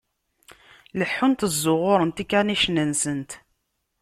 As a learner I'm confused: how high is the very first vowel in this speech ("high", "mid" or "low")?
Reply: mid